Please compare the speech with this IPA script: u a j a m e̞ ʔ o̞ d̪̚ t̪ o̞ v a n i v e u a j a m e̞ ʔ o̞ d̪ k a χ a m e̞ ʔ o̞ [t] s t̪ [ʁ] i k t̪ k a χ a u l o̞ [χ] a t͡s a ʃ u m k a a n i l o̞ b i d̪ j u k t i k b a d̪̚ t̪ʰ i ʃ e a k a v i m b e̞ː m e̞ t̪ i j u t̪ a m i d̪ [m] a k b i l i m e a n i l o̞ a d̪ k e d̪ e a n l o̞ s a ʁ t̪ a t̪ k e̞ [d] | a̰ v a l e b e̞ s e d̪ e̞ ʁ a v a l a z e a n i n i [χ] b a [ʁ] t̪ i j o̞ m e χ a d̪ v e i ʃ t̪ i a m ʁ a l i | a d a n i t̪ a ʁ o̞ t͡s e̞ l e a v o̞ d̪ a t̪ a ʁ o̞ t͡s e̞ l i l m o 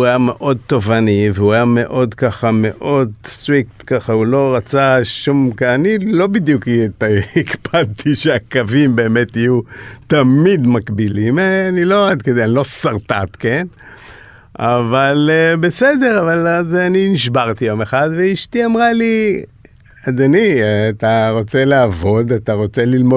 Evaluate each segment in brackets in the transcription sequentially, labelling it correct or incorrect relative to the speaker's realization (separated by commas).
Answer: incorrect, correct, incorrect, correct, incorrect, incorrect, correct